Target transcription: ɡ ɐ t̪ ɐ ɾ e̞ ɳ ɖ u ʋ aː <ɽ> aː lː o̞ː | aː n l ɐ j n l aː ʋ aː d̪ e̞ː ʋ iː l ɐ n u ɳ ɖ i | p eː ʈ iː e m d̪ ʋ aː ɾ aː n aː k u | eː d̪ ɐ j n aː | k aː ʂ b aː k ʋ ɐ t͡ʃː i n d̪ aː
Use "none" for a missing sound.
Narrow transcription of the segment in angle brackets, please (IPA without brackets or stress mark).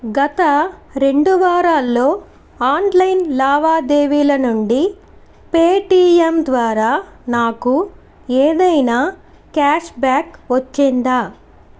ɾ